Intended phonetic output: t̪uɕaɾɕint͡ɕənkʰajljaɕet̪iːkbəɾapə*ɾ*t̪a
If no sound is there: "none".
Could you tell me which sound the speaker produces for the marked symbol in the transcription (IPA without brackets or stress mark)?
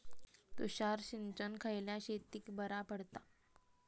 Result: ɽ